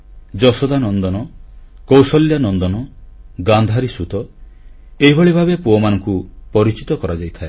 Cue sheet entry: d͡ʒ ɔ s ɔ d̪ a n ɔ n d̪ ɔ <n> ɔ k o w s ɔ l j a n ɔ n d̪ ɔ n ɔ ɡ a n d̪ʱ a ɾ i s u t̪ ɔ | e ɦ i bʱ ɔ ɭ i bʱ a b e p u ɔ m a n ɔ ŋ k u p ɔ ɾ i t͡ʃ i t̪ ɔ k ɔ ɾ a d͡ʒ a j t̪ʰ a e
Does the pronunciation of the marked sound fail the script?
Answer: no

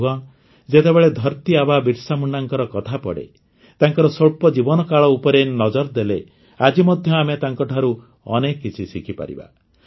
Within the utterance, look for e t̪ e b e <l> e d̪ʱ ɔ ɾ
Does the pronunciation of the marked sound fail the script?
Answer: yes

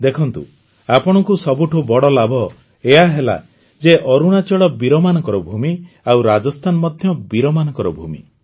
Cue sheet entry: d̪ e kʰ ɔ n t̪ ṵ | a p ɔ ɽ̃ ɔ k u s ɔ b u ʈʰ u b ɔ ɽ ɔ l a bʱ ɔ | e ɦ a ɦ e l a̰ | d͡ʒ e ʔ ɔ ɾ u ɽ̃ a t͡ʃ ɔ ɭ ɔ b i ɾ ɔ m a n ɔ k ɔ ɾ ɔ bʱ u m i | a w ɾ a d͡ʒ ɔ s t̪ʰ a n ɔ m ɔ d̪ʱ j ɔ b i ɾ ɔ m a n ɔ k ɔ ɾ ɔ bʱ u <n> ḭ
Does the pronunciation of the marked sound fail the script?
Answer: yes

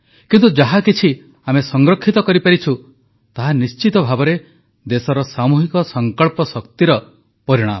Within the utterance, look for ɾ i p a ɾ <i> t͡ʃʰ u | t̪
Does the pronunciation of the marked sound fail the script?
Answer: no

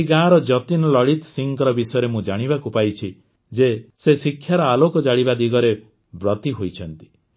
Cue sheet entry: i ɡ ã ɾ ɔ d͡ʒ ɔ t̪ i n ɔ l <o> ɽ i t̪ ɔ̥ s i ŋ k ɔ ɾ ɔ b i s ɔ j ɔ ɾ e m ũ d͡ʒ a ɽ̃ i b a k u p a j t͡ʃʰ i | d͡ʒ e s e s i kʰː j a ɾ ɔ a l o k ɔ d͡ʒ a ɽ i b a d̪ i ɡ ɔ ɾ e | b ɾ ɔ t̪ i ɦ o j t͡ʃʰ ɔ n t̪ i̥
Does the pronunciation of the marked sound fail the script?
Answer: yes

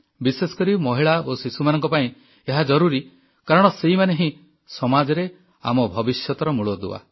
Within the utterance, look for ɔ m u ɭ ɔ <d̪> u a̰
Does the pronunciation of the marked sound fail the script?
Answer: no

